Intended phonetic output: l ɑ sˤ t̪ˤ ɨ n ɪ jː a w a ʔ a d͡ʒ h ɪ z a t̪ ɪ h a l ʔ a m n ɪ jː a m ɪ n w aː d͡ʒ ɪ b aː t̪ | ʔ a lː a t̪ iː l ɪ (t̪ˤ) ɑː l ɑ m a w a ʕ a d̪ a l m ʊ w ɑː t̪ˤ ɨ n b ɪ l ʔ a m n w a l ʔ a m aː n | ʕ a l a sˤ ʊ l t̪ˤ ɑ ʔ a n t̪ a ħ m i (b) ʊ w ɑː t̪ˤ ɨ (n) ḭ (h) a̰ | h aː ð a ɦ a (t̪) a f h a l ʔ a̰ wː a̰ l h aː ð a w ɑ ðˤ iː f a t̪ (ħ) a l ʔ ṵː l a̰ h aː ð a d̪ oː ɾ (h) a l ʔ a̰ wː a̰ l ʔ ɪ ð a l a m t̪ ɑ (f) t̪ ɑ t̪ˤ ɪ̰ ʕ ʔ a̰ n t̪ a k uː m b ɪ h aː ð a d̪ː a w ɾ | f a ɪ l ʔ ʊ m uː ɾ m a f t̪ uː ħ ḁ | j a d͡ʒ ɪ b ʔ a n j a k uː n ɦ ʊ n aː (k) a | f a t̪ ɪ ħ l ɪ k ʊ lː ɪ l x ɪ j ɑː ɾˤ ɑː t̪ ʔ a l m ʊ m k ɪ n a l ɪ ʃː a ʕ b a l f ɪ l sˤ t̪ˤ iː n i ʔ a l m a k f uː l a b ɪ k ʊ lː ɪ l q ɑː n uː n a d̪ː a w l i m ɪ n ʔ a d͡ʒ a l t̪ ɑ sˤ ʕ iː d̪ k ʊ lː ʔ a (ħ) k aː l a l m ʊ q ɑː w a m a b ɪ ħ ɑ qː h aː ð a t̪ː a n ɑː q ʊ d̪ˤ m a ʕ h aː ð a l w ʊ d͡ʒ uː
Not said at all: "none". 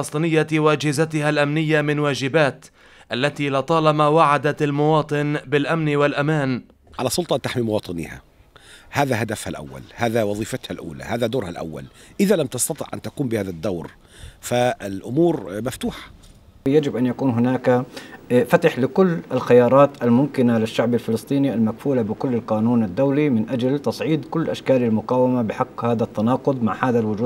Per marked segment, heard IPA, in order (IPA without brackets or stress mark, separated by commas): t̪ˤ, m, n, h, d̪, h, h, s, k, ʃ